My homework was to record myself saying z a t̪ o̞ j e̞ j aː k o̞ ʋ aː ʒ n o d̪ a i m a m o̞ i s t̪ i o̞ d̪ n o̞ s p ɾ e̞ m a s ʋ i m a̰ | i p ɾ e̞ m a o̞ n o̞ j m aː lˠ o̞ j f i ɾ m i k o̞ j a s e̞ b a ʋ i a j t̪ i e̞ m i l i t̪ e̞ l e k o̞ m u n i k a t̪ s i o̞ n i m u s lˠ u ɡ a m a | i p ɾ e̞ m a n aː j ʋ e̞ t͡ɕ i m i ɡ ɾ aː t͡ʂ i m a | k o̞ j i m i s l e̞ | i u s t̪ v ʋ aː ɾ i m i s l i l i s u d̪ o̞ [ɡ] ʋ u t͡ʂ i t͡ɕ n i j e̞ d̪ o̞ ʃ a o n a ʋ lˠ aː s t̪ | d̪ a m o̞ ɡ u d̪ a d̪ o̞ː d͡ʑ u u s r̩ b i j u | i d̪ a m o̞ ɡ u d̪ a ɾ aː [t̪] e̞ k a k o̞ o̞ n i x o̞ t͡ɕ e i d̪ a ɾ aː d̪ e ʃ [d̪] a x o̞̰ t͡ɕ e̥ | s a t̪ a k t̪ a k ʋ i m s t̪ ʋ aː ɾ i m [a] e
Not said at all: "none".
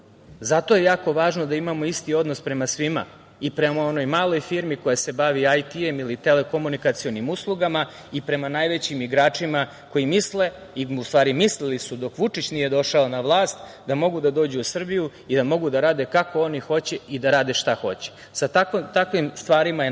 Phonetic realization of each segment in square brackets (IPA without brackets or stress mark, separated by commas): k, d̪, t̪, a